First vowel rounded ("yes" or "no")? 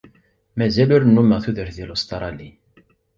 no